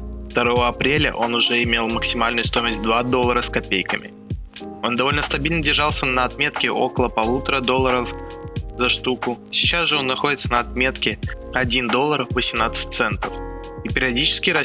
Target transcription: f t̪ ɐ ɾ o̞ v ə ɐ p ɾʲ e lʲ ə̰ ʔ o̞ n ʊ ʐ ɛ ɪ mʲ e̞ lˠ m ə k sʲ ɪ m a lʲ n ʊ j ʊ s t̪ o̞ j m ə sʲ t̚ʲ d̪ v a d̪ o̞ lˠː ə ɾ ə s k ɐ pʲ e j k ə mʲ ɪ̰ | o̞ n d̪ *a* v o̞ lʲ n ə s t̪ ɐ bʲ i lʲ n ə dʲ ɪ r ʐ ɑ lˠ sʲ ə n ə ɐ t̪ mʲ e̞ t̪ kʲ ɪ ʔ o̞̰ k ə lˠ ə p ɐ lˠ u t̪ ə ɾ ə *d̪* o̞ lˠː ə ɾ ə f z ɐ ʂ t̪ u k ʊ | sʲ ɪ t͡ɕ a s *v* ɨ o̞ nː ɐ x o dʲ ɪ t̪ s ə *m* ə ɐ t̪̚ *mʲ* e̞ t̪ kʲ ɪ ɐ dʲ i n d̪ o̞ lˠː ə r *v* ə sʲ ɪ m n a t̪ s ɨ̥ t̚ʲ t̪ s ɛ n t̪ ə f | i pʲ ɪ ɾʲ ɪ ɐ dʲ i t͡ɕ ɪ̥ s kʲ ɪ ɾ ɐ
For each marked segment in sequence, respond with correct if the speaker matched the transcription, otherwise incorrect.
incorrect: ɐ, correct, incorrect: ʐ, incorrect: n, correct, correct

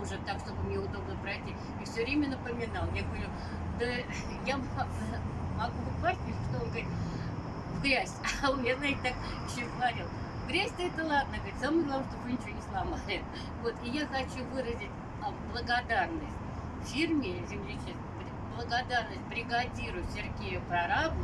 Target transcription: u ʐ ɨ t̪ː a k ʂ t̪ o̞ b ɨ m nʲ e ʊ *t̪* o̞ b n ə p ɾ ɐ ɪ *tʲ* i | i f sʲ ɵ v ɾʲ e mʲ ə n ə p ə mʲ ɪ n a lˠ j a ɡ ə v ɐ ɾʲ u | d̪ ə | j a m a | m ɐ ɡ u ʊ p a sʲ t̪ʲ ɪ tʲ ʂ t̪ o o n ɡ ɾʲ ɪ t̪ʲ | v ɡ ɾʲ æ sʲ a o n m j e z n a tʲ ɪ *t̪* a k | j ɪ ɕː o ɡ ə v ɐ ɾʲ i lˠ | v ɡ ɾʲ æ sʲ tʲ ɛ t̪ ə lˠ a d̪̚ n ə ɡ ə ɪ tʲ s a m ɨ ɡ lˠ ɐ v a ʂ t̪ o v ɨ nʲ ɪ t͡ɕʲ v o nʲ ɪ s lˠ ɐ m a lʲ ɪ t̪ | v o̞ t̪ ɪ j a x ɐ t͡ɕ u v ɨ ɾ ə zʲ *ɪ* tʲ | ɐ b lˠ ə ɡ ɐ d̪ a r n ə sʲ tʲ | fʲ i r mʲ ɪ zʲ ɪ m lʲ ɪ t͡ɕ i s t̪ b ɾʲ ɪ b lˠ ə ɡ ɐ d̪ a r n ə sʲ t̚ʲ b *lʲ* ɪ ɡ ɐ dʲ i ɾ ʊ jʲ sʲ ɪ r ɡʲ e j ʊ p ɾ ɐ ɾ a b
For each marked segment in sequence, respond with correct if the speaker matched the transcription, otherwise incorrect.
incorrect: d̪, correct, correct, correct, incorrect: ɾʲ

